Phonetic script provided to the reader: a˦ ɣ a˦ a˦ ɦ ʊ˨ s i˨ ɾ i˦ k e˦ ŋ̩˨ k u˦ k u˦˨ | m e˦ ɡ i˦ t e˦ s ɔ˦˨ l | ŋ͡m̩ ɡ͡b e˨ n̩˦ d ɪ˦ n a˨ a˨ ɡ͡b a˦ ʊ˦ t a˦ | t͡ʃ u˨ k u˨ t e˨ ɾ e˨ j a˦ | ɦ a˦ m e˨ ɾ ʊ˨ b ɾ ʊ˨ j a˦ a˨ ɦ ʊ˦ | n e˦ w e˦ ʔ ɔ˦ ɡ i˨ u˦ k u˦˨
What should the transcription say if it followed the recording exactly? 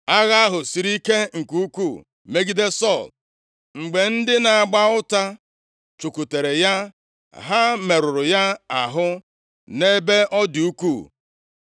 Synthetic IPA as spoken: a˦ ɣ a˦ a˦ ɦ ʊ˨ s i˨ ɾ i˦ k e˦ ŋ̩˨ k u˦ k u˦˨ | m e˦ ɡ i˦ d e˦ s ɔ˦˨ l | ŋ͡m̩ ɡ͡b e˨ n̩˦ d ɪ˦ n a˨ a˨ ɡ͡b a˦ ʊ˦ t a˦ | t͡ʃ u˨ k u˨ t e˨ ɾ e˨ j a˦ | ɦ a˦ m e˨ ɾ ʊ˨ ɾ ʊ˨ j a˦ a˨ ɦ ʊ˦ | n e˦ b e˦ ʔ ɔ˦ d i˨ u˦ k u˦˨

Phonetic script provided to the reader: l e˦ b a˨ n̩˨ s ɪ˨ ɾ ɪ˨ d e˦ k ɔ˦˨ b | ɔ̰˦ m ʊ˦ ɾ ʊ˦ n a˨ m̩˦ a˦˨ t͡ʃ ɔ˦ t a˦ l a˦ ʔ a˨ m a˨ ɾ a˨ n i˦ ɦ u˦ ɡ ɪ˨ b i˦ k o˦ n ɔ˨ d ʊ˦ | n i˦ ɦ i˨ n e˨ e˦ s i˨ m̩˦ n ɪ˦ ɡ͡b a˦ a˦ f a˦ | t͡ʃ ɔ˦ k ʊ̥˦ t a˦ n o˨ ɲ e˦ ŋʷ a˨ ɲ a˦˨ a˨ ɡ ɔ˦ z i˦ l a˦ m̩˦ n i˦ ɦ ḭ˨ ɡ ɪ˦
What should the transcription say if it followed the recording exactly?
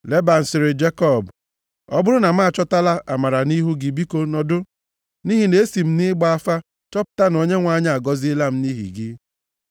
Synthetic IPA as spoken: l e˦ b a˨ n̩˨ s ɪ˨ ɾ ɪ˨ d͡ʒ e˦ k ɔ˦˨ b | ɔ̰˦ b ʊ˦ ɾ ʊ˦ n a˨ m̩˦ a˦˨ t͡ʃ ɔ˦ t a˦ l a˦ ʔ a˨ m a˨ ɾ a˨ n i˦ ɦ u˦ ɡ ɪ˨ b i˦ k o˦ n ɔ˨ d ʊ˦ | n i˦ ɦ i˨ n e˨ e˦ s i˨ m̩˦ n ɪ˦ ɡ͡b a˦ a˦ f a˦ | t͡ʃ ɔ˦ p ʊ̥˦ t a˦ n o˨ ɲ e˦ ŋʷ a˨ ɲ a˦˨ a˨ ɡ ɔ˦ z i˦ l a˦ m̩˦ n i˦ ɦ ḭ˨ ɡ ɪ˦

